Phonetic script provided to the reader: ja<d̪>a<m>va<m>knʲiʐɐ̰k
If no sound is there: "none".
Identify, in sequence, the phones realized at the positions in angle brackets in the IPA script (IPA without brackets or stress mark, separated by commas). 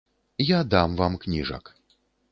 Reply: d̪, m, m